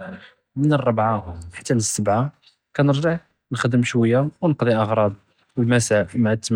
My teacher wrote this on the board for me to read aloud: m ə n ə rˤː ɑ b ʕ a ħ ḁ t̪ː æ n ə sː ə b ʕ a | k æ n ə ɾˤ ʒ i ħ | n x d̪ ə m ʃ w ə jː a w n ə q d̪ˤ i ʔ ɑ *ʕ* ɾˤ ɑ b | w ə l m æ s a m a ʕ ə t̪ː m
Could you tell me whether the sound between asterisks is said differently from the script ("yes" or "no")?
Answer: yes